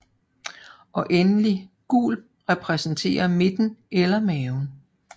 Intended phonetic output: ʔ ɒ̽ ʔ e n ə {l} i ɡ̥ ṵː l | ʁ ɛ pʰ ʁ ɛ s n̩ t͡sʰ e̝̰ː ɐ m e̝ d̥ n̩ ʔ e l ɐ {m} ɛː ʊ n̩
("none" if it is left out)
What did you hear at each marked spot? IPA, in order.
l, m

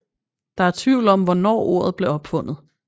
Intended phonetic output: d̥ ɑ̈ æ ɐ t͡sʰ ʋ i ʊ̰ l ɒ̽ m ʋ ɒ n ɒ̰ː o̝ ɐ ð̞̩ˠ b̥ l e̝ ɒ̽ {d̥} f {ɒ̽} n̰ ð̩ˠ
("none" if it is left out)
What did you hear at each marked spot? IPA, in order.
b̥, ɔ̽

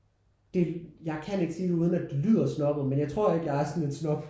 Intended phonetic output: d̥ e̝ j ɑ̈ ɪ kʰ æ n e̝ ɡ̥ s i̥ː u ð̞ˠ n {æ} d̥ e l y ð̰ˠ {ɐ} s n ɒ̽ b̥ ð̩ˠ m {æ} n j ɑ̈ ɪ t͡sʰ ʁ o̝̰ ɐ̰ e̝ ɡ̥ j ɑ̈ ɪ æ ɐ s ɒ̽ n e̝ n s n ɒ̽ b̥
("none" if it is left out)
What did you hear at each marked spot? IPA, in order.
æ, ɐ, e

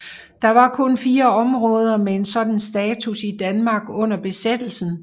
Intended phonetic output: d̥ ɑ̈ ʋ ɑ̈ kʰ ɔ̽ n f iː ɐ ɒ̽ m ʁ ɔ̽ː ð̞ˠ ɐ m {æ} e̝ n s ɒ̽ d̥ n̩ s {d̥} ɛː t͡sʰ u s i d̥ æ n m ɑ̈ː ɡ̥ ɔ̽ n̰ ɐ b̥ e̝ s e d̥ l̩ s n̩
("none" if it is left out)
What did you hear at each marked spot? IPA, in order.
e, d̥

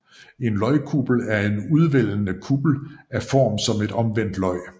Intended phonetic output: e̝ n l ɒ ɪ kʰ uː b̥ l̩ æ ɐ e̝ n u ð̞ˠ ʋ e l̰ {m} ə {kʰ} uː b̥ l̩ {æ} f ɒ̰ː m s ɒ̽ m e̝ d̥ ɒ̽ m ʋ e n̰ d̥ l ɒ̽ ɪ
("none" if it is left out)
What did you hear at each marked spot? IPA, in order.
n, kʰ, æ

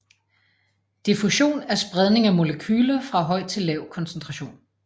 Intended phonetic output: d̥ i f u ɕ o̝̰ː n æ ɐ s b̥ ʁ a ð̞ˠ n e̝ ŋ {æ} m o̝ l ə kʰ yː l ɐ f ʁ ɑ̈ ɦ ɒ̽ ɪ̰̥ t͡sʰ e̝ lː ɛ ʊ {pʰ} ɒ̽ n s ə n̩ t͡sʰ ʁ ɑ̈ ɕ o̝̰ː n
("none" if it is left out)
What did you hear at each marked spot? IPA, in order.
æ, kʰ

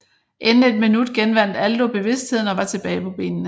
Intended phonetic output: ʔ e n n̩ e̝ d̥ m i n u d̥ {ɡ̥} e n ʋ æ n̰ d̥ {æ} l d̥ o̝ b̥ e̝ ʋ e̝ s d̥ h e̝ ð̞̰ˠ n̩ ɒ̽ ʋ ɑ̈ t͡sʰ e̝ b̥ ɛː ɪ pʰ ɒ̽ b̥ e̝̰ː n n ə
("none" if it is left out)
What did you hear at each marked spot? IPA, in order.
ɡ̥, æ

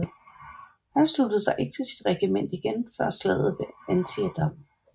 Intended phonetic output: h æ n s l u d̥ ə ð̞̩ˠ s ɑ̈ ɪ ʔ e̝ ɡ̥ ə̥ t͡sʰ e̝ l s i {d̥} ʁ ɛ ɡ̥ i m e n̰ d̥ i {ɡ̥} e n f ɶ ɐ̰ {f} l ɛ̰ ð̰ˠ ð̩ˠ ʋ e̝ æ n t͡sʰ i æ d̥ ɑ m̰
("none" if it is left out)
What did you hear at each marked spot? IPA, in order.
d̥, ɡ̥, s

